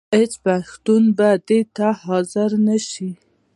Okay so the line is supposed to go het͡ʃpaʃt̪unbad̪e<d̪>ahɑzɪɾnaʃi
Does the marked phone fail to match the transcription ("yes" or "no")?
yes